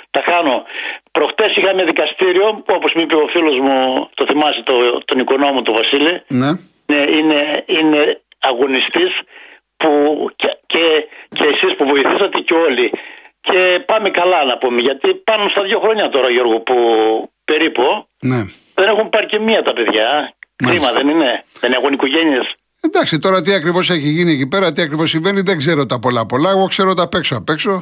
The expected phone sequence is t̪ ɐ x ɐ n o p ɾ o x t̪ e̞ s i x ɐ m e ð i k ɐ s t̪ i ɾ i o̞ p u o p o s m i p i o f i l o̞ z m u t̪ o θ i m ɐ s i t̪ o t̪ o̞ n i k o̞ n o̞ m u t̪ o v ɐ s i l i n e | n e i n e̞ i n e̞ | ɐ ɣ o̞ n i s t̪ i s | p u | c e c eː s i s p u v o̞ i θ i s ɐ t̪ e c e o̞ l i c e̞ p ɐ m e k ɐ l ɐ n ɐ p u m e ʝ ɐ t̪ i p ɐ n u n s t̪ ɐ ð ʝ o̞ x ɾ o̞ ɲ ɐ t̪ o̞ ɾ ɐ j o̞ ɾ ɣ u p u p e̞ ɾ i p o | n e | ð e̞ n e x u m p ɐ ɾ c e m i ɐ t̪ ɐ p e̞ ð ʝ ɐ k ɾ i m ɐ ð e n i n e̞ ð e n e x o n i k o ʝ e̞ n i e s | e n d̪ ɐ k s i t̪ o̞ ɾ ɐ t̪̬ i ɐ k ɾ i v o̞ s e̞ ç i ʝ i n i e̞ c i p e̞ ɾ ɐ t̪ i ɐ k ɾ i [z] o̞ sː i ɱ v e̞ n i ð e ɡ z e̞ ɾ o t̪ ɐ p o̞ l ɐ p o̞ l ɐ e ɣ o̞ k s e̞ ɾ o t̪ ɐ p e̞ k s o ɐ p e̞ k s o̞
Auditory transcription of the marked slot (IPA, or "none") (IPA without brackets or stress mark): v